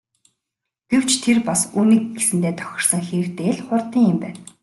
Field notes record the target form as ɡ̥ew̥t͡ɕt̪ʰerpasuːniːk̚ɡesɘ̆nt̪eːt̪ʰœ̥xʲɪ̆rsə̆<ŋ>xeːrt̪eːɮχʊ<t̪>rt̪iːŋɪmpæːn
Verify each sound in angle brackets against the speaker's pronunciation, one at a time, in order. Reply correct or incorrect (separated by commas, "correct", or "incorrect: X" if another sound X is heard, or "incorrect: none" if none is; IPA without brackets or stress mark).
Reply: correct, incorrect: none